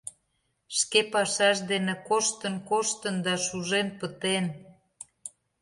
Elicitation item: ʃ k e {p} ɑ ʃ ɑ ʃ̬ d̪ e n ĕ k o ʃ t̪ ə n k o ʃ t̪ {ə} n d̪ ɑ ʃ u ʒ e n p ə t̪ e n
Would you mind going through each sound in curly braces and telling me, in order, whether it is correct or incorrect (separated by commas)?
correct, correct